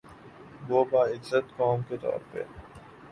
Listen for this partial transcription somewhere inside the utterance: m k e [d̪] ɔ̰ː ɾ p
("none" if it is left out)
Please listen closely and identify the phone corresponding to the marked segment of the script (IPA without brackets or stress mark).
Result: t̪